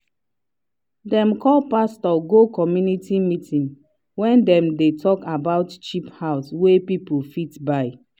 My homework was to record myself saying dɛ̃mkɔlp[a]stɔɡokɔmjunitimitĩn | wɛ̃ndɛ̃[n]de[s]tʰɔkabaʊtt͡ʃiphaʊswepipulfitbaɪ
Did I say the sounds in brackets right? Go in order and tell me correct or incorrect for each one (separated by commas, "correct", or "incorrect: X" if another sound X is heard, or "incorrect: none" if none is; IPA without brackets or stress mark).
correct, incorrect: m, incorrect: none